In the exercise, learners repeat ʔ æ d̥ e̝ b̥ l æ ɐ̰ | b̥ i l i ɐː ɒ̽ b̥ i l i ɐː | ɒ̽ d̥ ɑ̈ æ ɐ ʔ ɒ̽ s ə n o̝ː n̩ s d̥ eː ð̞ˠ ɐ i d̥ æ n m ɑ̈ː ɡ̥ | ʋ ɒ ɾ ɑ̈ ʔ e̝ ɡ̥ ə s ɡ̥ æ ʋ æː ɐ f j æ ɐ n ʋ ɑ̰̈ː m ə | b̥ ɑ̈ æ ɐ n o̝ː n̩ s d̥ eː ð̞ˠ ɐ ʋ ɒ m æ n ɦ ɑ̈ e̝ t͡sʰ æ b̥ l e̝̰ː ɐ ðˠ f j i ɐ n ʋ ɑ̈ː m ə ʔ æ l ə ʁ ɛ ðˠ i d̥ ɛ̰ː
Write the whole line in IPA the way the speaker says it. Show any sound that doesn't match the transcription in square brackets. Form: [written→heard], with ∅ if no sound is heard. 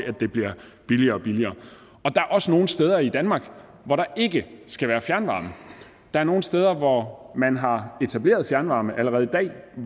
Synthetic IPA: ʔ æ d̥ e̝ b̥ l [æ→i] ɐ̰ | b̥ i l i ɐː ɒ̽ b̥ i l i ɐː | ɒ̽ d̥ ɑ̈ æ ɐ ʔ ɒ̽ s ə n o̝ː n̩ s d̥ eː ð̞ˠ ɐ i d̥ æ n m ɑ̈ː ɡ̥ | ʋ ɒ ɾ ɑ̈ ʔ e̝ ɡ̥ ə s ɡ̥ æ ʋ æː ɐ f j æ ɐ n ʋ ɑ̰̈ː m ə | [b̥→d̥] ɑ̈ æ ɐ n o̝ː n̩ s d̥ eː ð̞ˠ ɐ ʋ ɒ m æ n ɦ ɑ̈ e̝ t͡sʰ æ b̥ l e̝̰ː ɐ ðˠ f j [i→æ] ɐ n ʋ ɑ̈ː m ə ʔ æ l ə ʁ ɛ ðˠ i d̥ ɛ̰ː